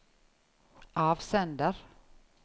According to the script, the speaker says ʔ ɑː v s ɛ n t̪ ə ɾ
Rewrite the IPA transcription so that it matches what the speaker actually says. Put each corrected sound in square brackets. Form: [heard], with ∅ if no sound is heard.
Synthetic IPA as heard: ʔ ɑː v s ɛ n [d̪] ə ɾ